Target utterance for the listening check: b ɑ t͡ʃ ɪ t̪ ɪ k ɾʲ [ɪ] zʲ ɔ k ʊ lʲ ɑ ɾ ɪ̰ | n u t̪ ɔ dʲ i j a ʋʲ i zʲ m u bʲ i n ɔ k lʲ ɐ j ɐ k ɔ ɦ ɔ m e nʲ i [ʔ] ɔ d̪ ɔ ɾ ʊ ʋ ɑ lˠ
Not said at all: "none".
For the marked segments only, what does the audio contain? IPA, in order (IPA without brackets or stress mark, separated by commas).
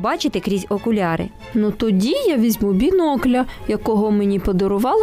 i, p